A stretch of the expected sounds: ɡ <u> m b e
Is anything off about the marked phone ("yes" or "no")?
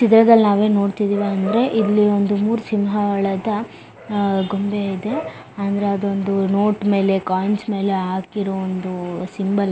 yes